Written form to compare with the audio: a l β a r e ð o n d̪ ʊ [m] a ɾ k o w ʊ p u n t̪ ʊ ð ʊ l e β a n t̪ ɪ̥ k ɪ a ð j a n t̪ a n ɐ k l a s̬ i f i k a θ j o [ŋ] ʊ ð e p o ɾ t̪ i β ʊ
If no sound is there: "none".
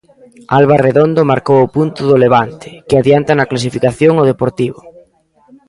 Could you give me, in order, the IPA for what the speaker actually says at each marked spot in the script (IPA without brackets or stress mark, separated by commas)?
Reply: m, ŋ